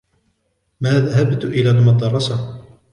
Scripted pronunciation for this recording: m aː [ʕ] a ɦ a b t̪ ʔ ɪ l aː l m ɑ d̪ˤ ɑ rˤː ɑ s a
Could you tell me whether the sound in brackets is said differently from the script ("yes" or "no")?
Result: yes